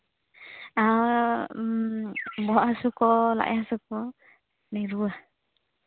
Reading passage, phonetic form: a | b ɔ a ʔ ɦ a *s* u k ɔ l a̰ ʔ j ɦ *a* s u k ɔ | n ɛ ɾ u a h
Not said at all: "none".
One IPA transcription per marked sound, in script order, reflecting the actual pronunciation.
s, a

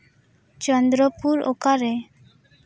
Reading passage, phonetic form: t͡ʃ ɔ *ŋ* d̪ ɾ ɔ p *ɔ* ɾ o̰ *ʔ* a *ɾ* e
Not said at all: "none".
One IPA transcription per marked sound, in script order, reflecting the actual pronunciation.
n, u, k, ɾ

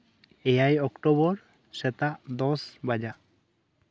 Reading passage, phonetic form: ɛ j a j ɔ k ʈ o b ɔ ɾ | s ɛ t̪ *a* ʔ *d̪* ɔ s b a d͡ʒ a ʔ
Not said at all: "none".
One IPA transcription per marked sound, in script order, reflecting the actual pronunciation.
a, d̪

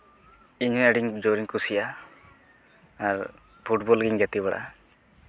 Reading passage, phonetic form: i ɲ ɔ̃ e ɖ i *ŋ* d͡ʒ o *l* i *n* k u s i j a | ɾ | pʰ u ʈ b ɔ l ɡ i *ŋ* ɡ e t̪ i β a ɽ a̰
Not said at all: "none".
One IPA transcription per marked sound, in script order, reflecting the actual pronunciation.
ŋ, ɾ, ŋ, ŋ

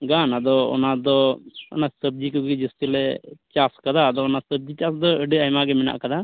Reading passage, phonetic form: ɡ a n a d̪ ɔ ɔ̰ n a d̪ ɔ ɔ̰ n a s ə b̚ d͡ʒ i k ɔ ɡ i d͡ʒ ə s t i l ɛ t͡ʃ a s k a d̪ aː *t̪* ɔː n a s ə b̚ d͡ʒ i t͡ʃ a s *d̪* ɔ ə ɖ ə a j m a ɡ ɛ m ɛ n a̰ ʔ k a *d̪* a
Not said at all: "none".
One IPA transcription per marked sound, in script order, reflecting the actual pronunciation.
d̪, d̪, d̪

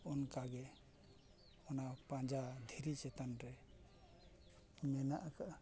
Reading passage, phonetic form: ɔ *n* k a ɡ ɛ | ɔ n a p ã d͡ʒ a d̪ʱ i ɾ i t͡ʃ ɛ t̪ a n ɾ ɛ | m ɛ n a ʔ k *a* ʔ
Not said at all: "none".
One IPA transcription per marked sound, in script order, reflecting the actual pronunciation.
n, a

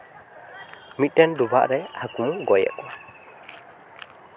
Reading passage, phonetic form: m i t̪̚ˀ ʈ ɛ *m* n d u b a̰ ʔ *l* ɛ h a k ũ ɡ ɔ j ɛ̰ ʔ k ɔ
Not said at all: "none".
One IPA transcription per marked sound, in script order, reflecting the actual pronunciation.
none, ɾ

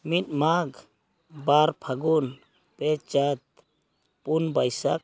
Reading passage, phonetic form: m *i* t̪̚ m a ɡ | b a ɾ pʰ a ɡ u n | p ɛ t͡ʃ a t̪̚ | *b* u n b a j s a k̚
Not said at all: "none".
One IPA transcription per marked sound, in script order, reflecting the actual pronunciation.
i, p

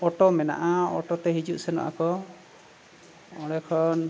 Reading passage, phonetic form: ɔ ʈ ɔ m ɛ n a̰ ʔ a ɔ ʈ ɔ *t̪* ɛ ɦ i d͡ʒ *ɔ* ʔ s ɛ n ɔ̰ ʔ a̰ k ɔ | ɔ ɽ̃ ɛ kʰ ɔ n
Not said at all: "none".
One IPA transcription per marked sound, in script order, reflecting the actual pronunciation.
t̪, u

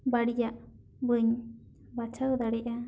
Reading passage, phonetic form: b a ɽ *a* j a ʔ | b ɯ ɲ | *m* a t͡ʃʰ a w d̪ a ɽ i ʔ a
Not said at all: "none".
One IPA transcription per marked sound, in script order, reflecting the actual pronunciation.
i, b

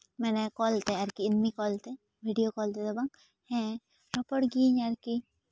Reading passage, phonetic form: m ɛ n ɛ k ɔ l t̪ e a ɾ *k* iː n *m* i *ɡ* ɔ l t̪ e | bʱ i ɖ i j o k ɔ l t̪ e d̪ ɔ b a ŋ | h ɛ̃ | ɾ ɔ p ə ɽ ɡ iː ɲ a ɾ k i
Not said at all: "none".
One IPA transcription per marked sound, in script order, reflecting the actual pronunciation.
k, m, k

